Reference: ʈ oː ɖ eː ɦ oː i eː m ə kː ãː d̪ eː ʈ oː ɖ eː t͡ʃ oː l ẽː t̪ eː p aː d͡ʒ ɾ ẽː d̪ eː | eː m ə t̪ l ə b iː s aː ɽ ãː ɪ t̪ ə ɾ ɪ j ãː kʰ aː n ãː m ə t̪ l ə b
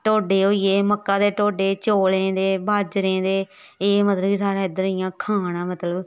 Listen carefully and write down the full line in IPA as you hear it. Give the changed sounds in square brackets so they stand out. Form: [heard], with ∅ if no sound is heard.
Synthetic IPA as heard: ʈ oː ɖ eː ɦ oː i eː m ə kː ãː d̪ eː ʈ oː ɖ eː t͡ʃ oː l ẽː [d̪] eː [b] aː d͡ʒ ɾ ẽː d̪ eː | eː m ə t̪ l ə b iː s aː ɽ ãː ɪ [d̪] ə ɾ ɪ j ãː kʰ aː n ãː m ə t̪ l ə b